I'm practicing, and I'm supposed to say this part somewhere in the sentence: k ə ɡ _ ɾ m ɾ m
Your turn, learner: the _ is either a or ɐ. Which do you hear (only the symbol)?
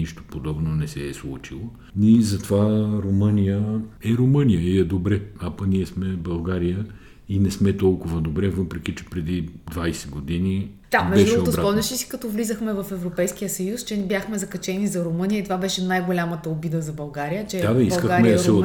a